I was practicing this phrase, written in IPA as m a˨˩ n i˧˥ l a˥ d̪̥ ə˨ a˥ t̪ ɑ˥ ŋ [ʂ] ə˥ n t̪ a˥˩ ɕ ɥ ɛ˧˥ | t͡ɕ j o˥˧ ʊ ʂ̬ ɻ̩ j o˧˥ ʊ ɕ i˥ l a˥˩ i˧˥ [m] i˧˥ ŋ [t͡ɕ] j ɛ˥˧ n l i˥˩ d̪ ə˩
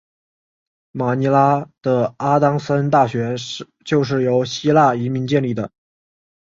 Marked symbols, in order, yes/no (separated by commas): no, yes, yes